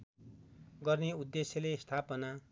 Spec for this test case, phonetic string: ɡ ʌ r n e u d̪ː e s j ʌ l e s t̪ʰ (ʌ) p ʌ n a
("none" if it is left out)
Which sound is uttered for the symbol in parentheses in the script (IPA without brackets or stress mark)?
a